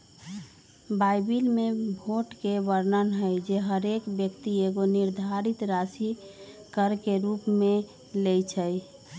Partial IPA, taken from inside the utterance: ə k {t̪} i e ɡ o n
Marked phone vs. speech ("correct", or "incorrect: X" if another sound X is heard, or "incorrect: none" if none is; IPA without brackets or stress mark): correct